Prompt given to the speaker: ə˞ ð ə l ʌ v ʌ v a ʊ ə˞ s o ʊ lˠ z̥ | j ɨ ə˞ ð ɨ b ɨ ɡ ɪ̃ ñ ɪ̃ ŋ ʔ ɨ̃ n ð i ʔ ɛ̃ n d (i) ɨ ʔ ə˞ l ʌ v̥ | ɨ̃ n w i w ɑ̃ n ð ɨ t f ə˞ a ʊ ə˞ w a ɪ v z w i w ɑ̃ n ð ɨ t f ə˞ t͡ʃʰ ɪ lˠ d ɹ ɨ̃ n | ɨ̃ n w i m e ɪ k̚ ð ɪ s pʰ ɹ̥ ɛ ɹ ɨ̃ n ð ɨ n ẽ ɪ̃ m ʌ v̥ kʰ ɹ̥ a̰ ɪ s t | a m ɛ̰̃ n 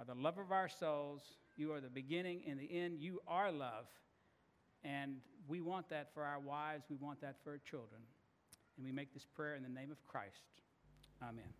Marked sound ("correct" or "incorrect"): incorrect